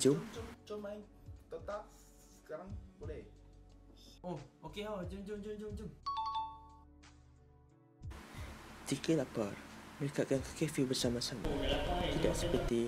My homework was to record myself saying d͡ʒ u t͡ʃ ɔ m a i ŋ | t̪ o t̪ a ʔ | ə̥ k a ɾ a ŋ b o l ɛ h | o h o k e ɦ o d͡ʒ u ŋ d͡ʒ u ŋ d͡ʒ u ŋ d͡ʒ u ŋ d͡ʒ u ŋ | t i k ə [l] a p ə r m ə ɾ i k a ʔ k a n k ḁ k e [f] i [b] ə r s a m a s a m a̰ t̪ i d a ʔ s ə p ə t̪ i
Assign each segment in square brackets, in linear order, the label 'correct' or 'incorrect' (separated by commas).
correct, correct, correct